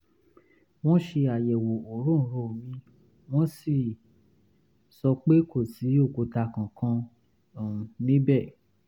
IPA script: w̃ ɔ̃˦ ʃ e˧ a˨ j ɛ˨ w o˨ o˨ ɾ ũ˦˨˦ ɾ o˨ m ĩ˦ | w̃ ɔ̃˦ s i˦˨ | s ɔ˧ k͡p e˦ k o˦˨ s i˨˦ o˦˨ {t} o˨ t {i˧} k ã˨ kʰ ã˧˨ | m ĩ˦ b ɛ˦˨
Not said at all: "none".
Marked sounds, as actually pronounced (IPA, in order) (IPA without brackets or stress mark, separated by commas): k, a˧